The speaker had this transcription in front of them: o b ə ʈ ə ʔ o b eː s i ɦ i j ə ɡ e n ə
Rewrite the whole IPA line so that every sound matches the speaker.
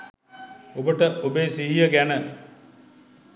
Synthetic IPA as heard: o b ə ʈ ə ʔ o b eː s i ɦ i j ə ɡ æ n ə